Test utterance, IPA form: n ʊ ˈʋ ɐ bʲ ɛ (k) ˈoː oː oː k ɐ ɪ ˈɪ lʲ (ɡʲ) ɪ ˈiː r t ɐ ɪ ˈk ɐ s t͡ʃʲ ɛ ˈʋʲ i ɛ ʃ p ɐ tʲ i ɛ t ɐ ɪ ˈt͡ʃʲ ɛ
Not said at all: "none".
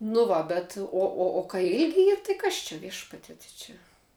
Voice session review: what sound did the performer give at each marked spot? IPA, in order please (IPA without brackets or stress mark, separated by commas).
t, ɡʲ